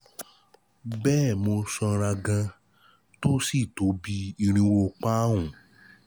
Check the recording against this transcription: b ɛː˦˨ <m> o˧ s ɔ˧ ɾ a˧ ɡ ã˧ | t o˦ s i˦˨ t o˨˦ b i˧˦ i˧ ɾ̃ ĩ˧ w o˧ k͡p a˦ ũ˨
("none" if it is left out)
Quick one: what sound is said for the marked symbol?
m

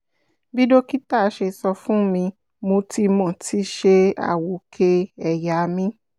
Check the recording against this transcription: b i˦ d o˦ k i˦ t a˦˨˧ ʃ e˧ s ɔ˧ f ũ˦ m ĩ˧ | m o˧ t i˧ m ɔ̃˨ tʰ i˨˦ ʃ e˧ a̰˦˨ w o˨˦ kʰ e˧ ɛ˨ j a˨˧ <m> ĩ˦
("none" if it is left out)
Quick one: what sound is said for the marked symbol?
m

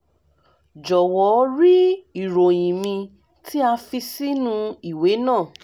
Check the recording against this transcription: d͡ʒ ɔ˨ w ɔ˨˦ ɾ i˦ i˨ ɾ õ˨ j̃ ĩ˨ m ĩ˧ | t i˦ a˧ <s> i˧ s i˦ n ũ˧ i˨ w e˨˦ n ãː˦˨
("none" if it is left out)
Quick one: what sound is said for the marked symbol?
f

